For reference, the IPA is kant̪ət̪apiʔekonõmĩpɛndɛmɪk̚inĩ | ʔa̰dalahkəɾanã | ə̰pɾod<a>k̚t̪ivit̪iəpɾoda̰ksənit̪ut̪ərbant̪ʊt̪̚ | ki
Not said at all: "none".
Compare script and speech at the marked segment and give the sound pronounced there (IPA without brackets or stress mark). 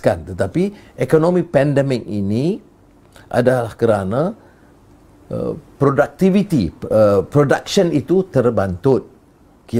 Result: a